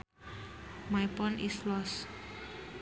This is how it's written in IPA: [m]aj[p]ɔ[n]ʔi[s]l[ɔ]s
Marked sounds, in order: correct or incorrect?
correct, correct, correct, correct, correct

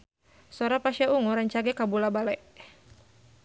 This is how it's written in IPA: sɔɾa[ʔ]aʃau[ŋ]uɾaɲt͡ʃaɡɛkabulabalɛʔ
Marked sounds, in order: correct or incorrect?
incorrect, correct

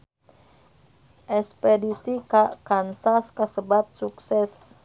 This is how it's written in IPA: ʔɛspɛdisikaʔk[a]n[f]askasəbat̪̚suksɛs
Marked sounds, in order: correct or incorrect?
correct, incorrect

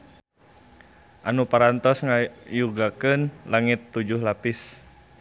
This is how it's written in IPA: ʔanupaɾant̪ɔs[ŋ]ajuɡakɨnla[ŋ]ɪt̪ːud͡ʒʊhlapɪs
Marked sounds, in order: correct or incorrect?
correct, correct

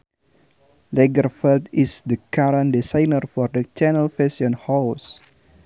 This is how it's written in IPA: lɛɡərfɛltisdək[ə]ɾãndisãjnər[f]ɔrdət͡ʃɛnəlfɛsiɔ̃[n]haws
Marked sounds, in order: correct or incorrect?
incorrect, correct, correct

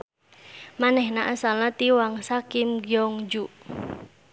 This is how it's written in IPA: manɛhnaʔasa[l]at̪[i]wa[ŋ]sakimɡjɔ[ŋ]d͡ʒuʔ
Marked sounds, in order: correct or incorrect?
correct, correct, correct, correct

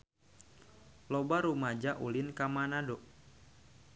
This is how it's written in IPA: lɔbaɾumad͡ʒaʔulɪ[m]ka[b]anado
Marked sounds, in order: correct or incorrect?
incorrect, incorrect

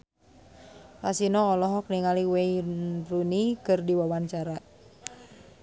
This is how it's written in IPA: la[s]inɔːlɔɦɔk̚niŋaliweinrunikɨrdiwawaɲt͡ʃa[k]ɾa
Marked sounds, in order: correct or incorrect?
correct, incorrect

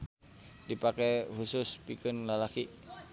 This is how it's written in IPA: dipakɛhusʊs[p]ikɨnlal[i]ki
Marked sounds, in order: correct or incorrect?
correct, incorrect

